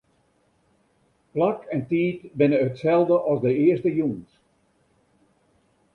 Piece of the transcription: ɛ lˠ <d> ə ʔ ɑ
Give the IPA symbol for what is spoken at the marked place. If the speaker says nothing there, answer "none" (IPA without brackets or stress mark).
d